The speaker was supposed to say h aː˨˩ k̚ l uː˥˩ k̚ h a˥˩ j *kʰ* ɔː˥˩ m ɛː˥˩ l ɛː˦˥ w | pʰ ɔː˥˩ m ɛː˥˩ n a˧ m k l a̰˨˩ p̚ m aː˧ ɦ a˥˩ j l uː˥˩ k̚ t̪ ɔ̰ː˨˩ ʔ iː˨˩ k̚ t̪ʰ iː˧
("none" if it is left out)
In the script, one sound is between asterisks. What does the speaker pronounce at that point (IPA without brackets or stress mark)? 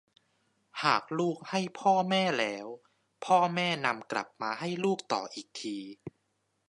pʰ